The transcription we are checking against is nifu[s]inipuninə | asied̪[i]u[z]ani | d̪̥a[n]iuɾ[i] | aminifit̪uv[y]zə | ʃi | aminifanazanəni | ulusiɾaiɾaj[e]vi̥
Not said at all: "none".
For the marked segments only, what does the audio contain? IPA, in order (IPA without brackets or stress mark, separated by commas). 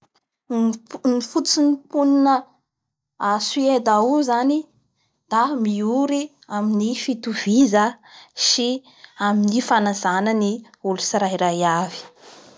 t͡s, a, z, m, i, i, a